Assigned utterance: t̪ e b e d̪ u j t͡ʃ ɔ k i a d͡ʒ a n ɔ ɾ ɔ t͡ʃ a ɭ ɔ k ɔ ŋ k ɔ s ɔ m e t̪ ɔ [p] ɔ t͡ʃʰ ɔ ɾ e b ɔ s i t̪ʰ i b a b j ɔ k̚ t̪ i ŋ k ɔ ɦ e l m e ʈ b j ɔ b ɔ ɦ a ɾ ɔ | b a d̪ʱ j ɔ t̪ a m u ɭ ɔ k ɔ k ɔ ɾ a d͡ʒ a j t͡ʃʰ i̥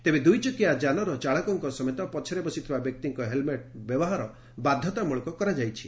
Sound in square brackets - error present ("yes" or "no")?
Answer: no